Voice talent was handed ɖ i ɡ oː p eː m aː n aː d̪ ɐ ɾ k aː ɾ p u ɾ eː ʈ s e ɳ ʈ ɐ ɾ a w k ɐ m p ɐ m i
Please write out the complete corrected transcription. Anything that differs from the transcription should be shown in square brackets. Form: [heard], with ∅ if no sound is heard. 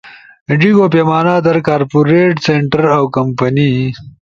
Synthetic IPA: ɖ i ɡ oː p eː m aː n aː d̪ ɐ ɾ k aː ɾ p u ɾ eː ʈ s e ɳ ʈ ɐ ɾ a w k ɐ m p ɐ [n] i